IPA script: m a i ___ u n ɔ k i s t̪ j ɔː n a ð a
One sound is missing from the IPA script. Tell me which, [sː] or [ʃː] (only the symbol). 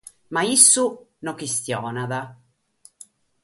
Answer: sː